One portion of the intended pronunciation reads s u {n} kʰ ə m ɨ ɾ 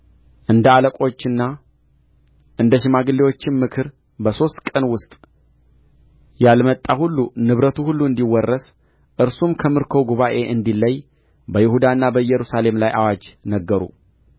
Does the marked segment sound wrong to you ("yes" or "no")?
yes